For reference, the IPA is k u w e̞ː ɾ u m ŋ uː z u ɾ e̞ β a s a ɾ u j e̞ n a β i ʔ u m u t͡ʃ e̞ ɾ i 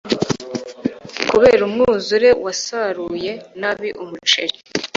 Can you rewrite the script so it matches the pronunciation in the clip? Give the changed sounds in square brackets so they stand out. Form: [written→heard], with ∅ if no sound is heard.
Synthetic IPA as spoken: k u [w→β] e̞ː ɾ u m ŋ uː z u ɾ e̞ [β→w] a s a ɾ u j e̞ n a β i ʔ u m u t͡ʃ e̞ ɾ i